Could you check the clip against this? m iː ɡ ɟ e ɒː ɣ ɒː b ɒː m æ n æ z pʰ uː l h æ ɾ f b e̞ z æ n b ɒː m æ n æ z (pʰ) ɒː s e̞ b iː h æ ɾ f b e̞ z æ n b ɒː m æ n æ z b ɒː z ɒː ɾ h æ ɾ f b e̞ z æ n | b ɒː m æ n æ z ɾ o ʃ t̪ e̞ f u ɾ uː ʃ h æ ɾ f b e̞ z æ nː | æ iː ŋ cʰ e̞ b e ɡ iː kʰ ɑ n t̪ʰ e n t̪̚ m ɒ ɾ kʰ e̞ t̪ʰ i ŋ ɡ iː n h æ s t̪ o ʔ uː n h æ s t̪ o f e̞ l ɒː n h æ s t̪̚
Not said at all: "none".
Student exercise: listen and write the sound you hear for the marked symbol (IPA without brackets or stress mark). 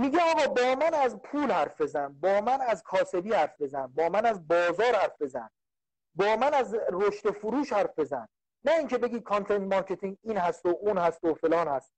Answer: kʰ